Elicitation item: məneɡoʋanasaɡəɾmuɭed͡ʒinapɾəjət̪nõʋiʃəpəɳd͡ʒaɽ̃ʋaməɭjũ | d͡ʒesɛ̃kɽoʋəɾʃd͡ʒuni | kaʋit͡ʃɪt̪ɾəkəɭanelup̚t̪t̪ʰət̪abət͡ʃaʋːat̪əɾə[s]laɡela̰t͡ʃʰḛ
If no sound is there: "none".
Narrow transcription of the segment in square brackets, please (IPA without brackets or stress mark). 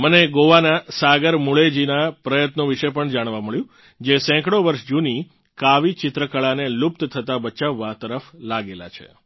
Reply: f